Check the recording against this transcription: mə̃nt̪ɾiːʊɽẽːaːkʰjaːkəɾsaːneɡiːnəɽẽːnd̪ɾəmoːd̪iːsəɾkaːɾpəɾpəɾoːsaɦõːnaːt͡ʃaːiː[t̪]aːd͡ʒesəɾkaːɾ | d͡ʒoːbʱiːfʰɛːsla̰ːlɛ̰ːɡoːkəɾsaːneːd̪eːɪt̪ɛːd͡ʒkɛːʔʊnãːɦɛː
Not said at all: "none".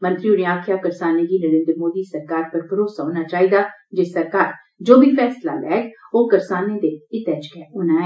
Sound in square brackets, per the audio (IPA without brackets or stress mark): d̪